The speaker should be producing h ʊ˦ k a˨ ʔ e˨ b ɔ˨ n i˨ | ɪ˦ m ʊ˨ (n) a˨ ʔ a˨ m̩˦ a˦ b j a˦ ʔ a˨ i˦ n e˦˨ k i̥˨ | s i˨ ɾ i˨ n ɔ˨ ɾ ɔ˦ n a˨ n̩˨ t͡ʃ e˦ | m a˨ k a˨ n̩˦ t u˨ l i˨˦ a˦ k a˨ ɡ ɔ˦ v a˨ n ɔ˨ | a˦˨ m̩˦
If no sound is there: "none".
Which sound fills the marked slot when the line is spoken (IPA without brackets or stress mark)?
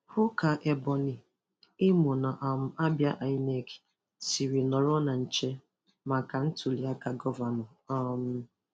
n